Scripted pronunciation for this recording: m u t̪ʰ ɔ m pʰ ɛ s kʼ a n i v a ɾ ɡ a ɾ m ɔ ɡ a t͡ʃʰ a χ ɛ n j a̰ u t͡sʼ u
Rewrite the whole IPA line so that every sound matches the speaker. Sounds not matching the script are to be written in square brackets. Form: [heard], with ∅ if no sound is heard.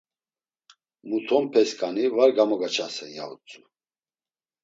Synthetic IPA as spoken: m u t̪ʰ ɔ m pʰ ɛ s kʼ a n i v a ɾ ɡ a [∅] m ɔ ɡ a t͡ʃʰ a [s] ɛ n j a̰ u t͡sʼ u